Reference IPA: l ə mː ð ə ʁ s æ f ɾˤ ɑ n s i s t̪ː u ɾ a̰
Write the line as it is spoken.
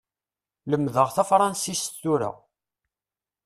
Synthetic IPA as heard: l ə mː ð ə ʁ θ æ f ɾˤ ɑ n s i s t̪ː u ɾ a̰